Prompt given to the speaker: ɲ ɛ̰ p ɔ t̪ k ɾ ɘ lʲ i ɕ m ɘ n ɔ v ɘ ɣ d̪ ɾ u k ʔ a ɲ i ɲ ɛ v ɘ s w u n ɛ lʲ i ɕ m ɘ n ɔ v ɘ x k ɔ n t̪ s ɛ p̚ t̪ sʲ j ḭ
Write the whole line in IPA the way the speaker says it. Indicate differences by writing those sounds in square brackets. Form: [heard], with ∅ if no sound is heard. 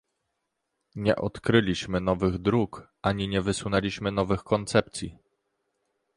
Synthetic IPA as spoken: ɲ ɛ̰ [ʔ] ɔ t̪ k ɾ ɘ lʲ i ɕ m ɘ n ɔ v ɘ ɣ d̪ ɾ u k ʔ a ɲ i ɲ ɛ v ɘ s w u n ɛ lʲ i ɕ m ɘ n ɔ v ɘ x k ɔ n t̪ s ɛ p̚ t̪ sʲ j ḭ